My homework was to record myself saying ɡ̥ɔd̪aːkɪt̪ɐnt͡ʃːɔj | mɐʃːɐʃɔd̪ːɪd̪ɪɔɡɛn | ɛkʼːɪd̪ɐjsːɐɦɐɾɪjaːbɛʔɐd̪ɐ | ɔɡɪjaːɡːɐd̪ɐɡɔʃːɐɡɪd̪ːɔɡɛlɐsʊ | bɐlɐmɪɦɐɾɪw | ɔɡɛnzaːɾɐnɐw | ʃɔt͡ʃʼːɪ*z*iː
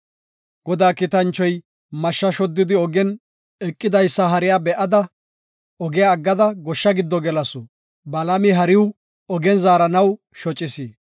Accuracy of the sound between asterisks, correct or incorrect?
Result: incorrect